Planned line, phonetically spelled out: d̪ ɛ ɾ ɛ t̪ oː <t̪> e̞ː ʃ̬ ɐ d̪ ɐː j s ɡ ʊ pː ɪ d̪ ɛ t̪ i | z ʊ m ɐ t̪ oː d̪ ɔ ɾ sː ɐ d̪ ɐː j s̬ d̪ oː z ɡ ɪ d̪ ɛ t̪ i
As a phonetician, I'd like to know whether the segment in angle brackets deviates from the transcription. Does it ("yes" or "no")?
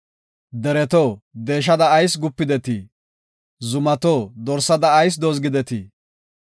yes